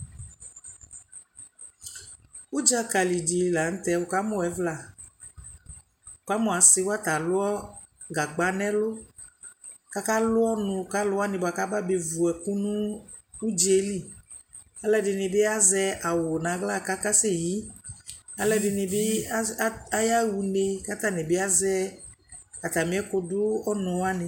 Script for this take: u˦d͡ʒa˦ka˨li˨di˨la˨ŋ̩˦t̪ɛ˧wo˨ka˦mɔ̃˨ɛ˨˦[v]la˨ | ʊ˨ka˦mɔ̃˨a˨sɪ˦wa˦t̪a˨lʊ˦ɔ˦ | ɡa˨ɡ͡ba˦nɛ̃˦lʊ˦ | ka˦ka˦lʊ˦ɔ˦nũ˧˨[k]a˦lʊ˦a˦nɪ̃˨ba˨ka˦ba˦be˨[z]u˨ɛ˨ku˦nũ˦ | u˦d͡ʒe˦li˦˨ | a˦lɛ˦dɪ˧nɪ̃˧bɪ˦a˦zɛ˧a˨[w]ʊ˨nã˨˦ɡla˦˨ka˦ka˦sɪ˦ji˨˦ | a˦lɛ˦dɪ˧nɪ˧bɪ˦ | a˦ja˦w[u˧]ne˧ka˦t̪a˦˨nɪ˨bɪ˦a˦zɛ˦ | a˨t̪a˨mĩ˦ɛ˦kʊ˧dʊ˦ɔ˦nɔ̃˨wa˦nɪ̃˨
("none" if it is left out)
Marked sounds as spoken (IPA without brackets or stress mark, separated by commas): v, k, v, w, u˧